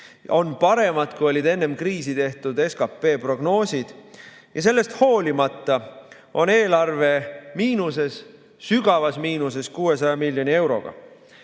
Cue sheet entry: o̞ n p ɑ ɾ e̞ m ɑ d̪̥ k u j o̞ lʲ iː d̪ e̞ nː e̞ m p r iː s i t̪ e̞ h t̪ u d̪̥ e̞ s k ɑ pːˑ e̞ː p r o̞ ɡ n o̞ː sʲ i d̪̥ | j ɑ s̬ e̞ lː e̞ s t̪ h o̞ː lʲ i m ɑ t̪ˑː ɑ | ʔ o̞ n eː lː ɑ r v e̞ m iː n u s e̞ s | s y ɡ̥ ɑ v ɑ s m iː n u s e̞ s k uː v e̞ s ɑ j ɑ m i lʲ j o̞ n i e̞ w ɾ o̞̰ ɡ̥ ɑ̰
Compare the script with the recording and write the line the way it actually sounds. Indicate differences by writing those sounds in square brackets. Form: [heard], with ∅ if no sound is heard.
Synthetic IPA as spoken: o̞ n p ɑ ɾ e̞ m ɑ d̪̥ k u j o̞ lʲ [i] d̪ e̞ nː e̞ m [k] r iː s i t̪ e̞ h t̪ u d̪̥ e̞ s k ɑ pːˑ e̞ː p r o̞ ɡ n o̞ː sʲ i d̪̥ | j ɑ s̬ e̞ lː e̞ s t̪ h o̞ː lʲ i m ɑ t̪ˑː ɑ | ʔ o̞ n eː [l] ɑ r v e̞ m iː n u s e̞ s | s y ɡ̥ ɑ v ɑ s m iː n u s e̞ s k uː [∅] e̞ s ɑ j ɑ m i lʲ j o̞ n i e̞ w ɾ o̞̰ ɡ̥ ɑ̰